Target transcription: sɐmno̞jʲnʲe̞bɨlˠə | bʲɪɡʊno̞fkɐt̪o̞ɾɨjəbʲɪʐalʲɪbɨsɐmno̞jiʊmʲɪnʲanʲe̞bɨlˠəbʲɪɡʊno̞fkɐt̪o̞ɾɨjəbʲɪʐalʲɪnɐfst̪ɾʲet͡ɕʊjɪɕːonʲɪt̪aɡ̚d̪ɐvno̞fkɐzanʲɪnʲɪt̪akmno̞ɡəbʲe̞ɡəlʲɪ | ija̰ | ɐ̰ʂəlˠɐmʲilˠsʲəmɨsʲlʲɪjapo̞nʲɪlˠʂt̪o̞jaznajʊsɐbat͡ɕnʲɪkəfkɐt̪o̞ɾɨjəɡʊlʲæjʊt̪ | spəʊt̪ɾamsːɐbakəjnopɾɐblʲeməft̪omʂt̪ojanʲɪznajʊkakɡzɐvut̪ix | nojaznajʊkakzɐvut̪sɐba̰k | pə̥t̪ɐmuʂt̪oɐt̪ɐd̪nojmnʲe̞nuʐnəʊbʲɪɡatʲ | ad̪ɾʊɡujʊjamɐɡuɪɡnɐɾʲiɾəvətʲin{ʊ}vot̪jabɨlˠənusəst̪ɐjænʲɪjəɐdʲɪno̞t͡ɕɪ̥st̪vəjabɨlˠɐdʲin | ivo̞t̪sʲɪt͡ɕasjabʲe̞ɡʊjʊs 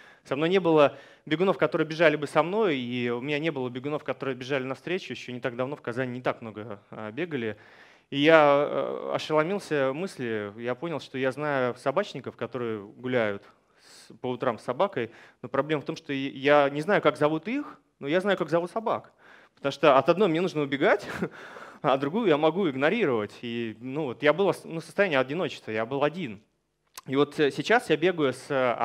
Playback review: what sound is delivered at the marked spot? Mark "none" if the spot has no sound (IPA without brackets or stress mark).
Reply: u